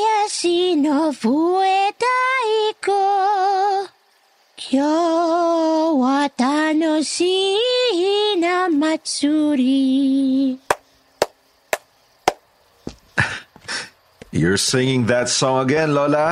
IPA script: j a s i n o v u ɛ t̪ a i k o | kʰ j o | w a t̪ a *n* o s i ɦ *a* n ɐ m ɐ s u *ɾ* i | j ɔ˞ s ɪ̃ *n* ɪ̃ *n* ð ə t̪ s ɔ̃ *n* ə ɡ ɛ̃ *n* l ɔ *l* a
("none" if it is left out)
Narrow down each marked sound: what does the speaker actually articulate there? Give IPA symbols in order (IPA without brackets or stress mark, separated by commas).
n, i, ɾ, ŋ, ŋ, ŋ, n, l